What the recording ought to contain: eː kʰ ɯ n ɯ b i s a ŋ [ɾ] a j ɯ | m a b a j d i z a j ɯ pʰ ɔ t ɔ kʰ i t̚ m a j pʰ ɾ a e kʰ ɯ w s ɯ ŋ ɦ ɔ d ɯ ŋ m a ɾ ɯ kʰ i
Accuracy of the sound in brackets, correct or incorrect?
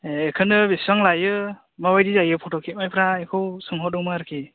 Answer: incorrect